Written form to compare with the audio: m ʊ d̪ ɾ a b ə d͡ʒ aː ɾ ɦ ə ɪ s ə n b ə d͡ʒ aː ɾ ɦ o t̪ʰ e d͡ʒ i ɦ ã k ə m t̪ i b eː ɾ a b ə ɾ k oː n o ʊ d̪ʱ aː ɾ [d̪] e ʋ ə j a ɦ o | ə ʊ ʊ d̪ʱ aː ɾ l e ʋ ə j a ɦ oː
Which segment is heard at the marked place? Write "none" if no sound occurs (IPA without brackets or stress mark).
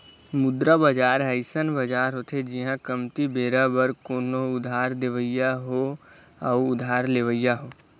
d̪